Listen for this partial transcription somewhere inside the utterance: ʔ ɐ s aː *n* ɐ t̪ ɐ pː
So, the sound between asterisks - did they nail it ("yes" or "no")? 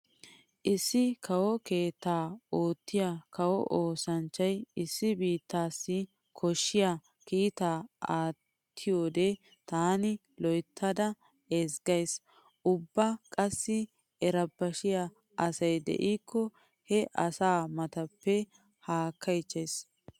no